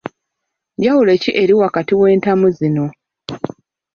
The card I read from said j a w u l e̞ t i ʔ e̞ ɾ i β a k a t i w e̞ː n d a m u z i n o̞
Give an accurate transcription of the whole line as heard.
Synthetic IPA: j a w u l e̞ c i ʔ e̞ ɾ i w a k a t i w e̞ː n t a m u z i n o̞